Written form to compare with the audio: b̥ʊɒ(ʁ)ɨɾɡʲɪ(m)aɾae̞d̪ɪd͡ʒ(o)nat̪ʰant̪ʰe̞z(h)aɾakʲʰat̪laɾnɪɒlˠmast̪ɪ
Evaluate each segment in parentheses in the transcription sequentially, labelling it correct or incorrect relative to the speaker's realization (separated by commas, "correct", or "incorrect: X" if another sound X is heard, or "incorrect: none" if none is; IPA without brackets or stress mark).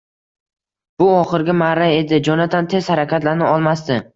incorrect: χ, correct, incorrect: ɒ, correct